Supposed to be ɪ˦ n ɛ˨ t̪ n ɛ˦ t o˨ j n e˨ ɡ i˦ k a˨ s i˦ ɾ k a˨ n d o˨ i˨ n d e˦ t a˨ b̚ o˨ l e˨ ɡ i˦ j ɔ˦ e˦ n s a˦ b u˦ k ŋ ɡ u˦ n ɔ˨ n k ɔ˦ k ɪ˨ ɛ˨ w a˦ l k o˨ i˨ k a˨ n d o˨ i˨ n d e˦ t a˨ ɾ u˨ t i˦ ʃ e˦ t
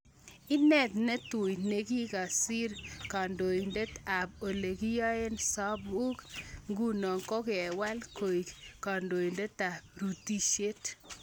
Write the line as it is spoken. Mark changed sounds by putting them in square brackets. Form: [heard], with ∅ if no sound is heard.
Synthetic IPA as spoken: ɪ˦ n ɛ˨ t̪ n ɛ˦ t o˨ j n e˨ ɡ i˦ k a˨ s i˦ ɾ k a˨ n d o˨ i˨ n d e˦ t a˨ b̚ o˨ l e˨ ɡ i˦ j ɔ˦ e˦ n s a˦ b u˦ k ŋ ɡ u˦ n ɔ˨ [ŋ] k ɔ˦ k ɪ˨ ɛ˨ w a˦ l k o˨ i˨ k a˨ n d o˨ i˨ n d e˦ t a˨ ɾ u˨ t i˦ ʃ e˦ t